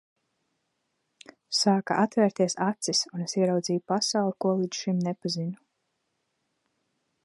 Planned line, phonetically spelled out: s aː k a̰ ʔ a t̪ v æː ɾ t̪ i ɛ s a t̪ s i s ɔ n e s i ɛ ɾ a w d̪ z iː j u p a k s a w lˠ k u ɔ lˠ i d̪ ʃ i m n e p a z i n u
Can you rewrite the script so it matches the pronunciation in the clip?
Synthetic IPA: s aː k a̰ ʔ a t̪ v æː ɾ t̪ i ɛ s a t̪ s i s u n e s i ɛ ɾ a w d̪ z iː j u p a s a w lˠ k u ɔ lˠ i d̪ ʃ i m n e p a z i n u